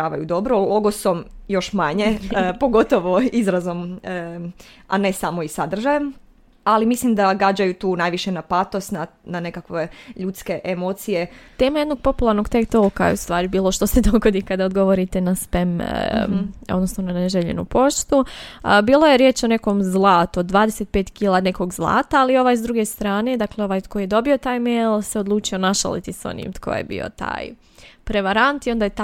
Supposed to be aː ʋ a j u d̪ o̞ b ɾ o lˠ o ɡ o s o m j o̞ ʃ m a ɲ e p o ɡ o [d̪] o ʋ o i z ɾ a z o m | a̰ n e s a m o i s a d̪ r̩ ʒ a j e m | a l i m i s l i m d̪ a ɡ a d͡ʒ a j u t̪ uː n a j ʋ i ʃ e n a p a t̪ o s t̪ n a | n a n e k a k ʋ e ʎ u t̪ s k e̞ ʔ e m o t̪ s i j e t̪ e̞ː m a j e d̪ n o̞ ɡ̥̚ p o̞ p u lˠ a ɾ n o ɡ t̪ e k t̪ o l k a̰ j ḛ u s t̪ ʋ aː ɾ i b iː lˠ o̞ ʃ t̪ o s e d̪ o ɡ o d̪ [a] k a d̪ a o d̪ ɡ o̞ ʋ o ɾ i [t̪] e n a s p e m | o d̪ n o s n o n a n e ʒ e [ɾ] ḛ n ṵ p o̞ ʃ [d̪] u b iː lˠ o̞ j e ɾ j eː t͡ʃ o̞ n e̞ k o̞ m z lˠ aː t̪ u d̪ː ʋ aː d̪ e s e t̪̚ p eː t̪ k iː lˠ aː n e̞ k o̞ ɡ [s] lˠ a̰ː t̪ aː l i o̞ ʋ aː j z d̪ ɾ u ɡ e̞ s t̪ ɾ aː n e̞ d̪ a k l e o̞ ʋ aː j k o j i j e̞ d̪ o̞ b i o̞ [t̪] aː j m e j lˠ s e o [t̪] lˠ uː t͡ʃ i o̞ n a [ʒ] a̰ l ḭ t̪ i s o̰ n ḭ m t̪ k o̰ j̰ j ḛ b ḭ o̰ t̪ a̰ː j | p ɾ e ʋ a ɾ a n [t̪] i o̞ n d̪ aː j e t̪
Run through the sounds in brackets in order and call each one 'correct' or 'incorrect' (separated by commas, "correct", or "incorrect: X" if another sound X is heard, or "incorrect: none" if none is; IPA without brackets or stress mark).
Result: incorrect: t̪, incorrect: i, correct, incorrect: ʎ, incorrect: t̪, incorrect: z, correct, incorrect: d̪, incorrect: ʃ, correct